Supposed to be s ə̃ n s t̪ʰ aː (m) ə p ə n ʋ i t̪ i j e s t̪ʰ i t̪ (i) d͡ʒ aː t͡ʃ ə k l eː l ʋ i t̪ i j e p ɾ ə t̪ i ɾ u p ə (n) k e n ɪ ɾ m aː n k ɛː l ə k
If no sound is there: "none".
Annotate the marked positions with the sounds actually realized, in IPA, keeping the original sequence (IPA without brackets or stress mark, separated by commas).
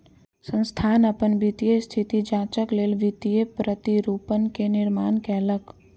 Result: n, i, n